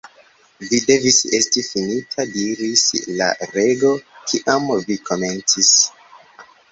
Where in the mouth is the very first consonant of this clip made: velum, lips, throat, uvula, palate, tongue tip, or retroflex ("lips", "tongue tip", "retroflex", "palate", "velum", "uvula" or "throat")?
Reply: lips